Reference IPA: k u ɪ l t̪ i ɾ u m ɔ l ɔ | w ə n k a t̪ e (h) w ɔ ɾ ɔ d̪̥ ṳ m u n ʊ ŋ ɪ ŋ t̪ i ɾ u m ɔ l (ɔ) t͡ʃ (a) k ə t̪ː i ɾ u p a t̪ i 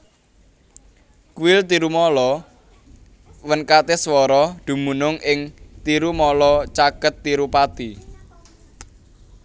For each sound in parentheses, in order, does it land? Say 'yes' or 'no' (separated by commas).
no, yes, yes